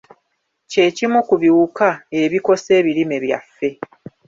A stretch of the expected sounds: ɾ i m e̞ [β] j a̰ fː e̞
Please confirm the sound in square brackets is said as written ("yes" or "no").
yes